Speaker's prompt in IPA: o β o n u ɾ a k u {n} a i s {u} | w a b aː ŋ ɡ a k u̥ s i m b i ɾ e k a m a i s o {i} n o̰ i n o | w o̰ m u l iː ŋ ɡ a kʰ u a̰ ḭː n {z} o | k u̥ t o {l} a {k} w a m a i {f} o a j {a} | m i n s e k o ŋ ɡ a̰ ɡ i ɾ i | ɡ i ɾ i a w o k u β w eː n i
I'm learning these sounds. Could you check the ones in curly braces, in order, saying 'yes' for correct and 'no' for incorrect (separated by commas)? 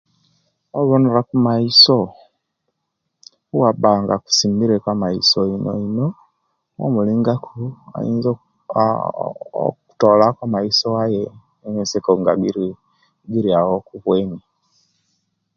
no, no, yes, yes, yes, yes, no, no